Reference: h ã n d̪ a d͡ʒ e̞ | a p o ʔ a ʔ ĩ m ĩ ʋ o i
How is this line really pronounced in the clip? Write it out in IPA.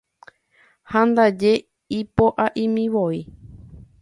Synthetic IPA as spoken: h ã n d̪ a d͡ʒ e̞ | i p o ʔ a ʔ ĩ m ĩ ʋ o i